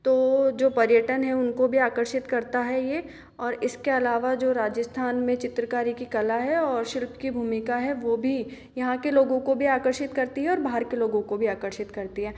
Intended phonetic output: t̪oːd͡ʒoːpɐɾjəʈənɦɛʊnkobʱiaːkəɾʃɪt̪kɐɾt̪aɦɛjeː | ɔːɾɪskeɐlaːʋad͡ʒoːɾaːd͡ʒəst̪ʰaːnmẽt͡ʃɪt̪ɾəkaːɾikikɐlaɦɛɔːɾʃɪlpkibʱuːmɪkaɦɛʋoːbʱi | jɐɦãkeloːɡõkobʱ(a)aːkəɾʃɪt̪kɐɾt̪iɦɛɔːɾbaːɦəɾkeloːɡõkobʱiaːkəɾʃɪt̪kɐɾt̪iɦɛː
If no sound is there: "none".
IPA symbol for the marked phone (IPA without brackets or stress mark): i